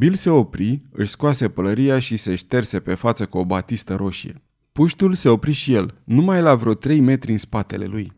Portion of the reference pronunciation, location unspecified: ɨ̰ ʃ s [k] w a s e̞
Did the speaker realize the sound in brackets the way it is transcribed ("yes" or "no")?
yes